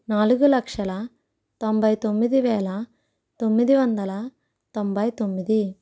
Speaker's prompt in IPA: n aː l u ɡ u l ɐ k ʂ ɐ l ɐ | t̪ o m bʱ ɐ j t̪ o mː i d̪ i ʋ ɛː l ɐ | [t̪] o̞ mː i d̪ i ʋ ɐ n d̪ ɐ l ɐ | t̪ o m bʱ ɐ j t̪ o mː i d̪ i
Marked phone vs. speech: correct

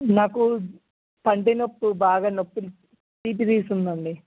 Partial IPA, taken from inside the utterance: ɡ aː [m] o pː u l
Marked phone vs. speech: incorrect: n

